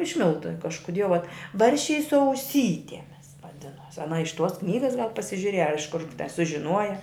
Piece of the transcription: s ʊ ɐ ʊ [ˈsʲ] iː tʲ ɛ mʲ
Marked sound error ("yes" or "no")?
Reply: no